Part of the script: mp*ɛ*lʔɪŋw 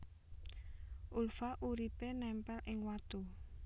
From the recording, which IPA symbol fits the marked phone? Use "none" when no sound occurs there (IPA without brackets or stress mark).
ɛ